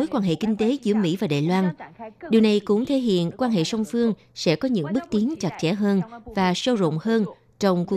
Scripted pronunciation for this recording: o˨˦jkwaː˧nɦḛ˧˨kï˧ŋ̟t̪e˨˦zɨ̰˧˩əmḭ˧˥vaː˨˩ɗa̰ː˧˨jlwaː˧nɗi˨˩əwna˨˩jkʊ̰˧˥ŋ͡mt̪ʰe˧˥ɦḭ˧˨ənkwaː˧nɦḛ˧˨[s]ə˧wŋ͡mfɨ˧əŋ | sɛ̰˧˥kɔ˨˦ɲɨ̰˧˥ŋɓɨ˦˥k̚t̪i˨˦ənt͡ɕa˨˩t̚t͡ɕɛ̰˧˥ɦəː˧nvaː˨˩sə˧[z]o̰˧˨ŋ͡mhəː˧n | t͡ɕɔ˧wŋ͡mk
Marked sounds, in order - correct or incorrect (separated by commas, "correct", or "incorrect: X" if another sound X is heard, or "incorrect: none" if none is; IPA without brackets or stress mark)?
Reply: correct, correct